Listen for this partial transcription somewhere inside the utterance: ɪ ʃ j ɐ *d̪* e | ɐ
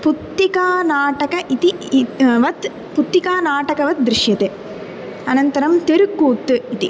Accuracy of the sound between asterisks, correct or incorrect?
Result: incorrect: t̪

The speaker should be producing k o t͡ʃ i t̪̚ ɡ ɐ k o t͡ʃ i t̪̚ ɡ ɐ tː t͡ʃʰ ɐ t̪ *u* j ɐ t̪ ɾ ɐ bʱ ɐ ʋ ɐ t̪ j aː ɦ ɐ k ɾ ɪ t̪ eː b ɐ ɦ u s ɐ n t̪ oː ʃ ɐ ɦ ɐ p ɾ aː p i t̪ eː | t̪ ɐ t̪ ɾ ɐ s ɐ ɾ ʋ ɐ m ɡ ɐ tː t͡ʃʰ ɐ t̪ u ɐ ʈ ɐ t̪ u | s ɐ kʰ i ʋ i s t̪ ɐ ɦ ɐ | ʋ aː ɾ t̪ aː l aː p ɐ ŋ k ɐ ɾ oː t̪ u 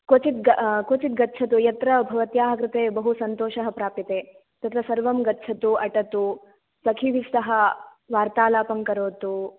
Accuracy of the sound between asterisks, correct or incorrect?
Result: correct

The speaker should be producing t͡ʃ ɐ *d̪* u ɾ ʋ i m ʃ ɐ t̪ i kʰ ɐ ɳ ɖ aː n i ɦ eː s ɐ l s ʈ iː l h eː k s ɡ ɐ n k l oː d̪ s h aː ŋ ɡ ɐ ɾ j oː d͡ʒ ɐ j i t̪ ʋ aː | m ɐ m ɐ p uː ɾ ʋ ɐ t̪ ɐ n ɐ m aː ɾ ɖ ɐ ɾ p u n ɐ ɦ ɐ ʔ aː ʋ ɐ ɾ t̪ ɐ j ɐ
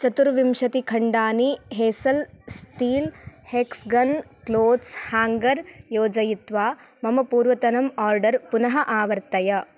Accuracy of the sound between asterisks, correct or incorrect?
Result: incorrect: t̪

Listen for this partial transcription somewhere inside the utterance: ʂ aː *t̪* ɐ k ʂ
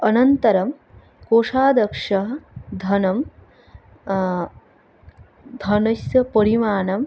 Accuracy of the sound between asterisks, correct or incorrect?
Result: incorrect: d̪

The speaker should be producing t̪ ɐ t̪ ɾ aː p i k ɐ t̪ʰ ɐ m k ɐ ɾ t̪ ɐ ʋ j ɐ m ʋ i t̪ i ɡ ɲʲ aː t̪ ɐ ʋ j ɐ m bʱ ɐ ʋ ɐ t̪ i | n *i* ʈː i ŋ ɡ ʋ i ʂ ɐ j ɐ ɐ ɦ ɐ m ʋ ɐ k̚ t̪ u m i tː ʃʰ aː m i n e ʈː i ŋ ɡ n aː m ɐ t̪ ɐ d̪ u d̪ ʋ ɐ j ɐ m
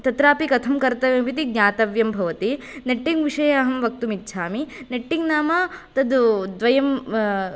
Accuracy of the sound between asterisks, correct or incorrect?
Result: incorrect: e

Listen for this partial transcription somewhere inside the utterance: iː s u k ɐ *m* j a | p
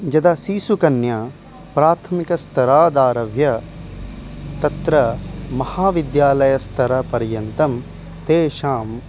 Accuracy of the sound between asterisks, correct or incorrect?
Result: incorrect: n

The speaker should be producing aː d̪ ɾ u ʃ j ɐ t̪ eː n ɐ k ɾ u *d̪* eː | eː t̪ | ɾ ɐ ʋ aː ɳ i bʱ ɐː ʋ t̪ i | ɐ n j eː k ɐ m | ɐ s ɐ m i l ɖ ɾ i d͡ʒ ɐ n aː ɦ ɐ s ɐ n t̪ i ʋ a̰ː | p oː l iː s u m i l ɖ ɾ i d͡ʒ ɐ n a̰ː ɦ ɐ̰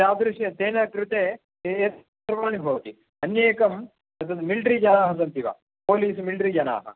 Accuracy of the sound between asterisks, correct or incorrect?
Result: incorrect: t̪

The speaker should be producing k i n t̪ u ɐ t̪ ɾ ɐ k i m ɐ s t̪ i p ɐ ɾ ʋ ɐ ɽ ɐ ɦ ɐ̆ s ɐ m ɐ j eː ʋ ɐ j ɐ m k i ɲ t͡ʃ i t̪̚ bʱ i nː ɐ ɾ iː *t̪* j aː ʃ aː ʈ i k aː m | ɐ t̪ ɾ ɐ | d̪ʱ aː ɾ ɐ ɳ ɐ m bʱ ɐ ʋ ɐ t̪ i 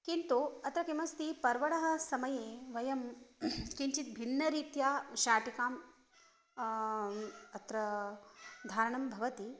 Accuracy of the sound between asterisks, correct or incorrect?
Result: correct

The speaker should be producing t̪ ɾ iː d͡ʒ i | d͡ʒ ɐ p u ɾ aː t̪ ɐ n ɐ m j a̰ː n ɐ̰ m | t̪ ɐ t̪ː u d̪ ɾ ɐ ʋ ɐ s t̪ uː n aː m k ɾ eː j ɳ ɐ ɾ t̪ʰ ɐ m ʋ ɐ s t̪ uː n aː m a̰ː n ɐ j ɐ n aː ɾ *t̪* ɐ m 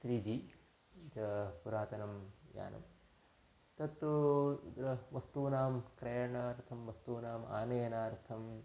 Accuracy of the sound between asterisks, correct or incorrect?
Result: incorrect: t̪ʰ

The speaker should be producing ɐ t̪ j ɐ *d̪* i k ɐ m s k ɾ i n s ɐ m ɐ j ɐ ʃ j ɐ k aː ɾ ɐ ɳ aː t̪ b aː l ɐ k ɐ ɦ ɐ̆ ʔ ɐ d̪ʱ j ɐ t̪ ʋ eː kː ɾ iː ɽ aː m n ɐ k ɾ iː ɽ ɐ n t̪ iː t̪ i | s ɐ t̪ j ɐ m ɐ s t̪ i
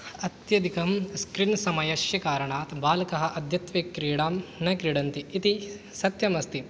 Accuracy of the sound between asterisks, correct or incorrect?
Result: correct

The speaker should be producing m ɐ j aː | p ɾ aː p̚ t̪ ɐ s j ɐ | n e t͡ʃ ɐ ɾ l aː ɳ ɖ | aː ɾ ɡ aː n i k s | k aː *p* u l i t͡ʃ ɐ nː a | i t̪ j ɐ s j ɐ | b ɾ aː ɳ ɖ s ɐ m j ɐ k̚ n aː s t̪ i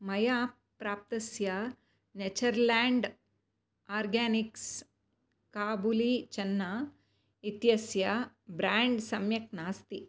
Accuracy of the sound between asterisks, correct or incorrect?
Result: incorrect: b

